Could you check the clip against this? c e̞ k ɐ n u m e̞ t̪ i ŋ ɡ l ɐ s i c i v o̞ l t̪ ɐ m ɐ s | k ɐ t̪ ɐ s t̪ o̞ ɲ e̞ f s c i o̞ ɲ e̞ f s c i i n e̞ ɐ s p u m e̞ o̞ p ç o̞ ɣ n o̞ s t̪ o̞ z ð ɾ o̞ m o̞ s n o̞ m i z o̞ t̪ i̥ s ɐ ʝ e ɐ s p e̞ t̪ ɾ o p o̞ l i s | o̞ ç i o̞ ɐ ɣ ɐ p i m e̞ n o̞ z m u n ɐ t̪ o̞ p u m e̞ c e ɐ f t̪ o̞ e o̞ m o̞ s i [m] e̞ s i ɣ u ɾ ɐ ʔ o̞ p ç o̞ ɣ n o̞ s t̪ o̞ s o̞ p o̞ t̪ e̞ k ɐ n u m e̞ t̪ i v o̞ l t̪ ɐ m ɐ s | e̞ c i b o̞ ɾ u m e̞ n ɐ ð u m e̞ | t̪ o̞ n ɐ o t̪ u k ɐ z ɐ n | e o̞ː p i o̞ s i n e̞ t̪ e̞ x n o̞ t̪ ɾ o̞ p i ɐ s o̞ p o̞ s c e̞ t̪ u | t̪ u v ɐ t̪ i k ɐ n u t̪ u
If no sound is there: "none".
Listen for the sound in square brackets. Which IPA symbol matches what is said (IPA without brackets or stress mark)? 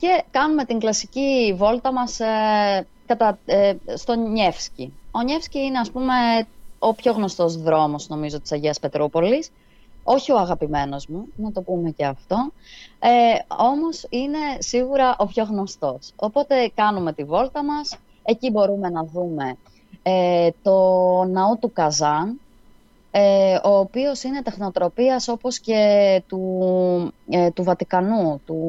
n